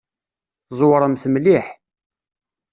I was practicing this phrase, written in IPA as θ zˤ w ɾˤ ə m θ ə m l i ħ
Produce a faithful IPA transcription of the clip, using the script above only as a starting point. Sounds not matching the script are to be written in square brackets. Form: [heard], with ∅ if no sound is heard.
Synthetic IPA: θ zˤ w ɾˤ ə m θ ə m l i ħ

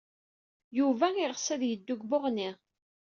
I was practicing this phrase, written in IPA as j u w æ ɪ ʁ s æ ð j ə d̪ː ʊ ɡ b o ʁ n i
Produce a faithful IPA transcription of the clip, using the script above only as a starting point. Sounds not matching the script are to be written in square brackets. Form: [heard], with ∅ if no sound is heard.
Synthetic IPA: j u [v] æ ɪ ʁ s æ ð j ə d̪ː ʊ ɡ b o ʁ n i

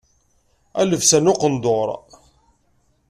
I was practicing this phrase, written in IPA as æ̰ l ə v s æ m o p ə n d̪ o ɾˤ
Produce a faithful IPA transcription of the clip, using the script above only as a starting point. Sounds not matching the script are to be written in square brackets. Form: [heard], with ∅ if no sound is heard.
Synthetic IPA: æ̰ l ə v s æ [n] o [q] ə n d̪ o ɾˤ

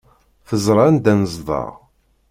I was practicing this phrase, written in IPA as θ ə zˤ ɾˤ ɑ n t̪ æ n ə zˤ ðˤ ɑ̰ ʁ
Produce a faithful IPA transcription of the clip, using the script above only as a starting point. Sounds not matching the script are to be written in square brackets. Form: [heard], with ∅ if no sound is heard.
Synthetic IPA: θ ə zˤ ɾˤ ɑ n [d̪] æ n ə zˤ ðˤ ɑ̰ ʁ

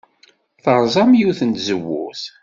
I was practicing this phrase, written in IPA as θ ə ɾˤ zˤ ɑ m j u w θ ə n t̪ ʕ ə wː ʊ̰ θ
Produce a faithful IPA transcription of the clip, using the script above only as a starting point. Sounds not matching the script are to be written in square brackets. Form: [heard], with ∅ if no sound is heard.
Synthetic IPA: θ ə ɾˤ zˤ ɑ m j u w θ ə n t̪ [z] ə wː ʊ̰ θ

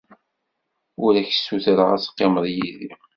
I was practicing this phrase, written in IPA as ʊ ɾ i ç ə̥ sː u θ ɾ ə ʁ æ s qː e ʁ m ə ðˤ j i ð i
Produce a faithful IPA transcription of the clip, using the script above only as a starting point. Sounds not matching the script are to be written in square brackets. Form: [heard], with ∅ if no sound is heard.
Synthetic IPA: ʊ ɾ [æ] ç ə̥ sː u θ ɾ ə ʁ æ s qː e [∅] m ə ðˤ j i ð i

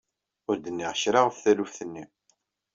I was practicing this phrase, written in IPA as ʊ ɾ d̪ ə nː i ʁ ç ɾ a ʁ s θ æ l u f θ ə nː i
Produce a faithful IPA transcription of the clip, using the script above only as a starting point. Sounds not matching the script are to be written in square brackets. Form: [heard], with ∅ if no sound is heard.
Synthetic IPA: ʊ ɾ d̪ ə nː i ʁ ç ɾ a ʁ [f] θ æ l u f θ ə nː i

